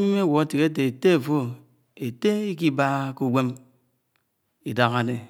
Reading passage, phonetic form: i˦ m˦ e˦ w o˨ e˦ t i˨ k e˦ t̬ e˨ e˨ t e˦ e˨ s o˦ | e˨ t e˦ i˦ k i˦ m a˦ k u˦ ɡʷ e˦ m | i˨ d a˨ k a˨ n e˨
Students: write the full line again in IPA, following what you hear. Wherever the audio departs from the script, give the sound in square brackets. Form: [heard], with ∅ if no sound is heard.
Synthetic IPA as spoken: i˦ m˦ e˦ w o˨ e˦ t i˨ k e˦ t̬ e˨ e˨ t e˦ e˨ [f] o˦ | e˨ t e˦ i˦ k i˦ [b] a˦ k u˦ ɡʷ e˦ m | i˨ d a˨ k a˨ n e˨